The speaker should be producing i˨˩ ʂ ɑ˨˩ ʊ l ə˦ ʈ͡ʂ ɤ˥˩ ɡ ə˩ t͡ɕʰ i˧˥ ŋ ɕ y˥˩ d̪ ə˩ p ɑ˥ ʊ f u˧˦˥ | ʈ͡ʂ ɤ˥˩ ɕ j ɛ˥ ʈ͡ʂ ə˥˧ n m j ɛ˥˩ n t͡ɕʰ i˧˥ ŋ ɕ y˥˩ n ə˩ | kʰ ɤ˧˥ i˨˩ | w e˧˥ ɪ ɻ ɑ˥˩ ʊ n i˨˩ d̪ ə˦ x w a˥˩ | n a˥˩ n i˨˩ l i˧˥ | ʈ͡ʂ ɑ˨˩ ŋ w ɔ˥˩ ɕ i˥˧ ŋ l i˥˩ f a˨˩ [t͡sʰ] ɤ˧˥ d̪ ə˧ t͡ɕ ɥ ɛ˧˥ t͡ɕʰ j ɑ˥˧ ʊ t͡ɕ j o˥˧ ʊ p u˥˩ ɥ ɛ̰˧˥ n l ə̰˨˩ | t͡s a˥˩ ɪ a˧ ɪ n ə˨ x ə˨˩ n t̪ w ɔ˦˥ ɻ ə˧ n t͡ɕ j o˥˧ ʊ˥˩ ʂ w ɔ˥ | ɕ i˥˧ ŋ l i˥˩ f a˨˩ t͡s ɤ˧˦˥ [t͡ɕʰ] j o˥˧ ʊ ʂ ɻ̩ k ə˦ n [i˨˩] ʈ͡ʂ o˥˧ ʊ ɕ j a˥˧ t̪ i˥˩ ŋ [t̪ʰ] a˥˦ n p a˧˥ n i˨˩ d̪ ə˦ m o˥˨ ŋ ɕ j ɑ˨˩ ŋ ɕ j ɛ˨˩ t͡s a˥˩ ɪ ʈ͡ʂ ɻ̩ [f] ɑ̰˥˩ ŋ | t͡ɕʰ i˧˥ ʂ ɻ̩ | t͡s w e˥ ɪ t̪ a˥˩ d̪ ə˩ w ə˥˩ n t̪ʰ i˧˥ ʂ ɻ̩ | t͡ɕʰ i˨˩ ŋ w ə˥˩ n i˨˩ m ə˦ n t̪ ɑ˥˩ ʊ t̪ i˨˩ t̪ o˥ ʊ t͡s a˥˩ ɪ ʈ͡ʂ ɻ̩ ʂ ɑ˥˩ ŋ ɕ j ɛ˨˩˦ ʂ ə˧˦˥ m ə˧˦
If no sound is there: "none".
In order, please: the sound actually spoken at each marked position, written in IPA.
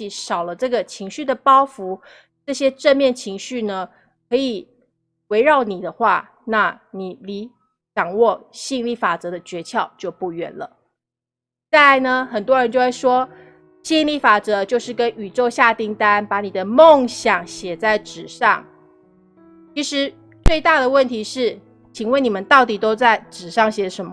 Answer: t͡s, t͡ɕ, y˨˩, t̪, ʂ

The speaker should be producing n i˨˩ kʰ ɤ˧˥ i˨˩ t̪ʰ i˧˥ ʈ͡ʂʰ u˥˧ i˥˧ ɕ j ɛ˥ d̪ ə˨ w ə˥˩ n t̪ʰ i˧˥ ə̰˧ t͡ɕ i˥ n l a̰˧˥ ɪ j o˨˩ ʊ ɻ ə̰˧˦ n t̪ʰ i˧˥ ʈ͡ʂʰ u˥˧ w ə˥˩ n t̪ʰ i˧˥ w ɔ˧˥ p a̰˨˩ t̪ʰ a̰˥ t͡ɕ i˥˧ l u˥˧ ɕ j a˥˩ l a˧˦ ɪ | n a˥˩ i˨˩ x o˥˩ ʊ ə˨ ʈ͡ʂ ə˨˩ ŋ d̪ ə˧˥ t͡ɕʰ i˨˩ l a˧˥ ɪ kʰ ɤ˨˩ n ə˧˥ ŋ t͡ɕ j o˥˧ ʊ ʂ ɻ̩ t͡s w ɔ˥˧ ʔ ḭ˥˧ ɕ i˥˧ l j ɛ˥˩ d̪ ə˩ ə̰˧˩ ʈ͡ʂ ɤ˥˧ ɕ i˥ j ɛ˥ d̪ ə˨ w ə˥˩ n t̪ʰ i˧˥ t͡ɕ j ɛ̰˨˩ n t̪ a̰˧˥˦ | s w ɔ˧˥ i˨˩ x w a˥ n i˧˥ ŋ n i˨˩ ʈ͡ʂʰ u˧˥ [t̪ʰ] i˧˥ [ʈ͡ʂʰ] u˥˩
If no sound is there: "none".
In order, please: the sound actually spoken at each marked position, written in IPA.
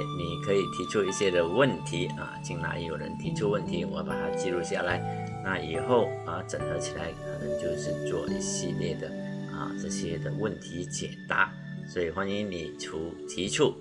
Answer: t̪ʰ, ʈ͡ʂʰ

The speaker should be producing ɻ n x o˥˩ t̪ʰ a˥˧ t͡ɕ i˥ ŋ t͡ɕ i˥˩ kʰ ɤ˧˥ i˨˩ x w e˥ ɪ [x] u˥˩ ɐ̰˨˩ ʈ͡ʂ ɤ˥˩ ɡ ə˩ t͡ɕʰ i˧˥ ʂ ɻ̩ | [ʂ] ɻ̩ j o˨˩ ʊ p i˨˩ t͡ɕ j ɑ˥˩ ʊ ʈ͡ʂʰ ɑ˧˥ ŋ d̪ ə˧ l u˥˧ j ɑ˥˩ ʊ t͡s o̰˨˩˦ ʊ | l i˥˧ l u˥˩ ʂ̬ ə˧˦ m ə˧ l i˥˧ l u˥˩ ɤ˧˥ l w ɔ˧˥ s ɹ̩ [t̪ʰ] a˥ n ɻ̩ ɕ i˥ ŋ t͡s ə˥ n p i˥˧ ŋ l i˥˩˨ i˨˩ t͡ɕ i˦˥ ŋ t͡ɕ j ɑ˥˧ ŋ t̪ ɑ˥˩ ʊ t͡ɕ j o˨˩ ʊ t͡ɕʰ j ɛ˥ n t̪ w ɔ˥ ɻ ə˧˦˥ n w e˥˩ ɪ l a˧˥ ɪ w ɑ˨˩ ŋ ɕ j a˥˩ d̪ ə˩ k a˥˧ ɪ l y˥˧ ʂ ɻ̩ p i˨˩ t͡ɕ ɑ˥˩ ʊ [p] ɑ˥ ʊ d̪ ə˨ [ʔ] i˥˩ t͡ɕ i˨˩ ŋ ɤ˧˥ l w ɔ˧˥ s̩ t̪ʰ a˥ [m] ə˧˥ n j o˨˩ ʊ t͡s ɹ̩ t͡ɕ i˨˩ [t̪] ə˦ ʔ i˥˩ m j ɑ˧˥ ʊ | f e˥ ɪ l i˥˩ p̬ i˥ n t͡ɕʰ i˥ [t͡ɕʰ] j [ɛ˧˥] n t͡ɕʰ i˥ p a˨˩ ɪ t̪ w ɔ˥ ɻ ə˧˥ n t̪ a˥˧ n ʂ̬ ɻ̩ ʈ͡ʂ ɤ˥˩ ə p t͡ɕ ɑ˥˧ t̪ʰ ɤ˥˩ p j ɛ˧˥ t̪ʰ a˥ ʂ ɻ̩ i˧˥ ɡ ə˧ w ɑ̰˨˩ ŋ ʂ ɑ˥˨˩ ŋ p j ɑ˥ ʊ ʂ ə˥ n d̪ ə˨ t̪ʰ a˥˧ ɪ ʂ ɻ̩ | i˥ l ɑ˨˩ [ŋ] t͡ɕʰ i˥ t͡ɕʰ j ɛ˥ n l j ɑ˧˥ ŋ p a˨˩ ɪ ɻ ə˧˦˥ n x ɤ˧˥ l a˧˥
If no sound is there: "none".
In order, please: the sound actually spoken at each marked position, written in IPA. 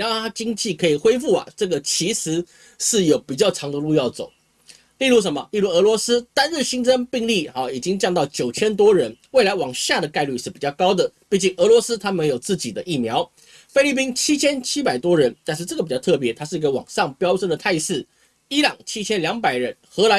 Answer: f, ʂ, t̪, k, p, m, d̪, t͡ɕʰ, ɛ˥, ŋ

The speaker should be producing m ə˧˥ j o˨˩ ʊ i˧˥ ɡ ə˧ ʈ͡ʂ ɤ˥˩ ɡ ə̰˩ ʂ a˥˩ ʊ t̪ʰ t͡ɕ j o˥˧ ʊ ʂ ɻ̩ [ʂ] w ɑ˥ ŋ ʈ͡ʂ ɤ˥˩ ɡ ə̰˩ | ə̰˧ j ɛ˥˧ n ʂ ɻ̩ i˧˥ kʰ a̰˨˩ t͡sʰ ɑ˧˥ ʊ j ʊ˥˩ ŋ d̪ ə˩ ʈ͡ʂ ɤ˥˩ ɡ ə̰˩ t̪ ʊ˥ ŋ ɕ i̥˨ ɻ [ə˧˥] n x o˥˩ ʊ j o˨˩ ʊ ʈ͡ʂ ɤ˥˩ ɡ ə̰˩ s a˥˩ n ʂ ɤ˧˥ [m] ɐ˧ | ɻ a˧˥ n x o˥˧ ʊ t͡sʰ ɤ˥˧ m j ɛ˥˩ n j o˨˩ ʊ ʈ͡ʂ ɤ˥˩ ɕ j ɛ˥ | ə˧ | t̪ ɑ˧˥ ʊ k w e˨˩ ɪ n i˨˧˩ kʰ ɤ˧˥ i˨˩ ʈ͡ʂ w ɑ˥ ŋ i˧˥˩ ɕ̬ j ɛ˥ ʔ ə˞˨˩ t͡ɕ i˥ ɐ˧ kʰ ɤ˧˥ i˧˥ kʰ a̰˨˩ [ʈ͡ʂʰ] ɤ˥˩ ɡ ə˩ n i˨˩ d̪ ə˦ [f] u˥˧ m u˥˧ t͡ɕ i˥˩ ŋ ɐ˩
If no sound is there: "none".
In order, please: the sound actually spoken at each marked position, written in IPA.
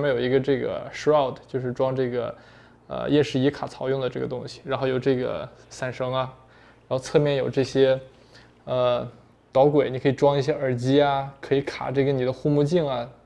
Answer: ʈ͡ʂ, a˧˥, ŋ, ʈ͡ʂ, x

